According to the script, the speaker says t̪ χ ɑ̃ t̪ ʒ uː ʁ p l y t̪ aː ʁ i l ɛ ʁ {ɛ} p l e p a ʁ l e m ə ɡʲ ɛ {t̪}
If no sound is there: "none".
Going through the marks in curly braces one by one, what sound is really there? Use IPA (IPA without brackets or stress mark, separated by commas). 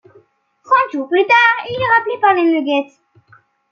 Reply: a, t̪